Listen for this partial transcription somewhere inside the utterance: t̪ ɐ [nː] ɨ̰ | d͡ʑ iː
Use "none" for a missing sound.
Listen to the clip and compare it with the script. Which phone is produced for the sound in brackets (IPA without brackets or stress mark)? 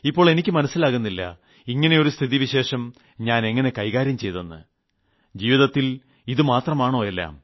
nː